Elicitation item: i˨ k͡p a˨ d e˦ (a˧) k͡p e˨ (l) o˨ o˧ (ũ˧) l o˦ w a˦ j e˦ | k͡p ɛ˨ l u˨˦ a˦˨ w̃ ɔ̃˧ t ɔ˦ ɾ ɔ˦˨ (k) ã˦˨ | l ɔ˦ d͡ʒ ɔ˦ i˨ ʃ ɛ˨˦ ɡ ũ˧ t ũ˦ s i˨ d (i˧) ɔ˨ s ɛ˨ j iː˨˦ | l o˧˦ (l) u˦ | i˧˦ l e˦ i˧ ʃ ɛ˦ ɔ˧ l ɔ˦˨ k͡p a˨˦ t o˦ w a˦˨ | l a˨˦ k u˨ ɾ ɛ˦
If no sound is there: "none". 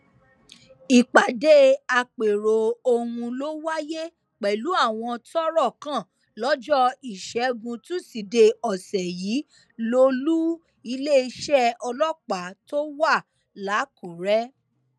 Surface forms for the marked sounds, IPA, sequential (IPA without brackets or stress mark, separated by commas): a˧, ɾ, ũ˧, k, e˧, l